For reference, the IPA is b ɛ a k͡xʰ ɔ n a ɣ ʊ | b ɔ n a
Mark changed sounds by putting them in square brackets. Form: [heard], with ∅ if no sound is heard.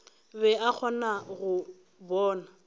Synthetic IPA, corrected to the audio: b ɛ a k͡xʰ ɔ n a ɣ ʊ | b [ɔː] n a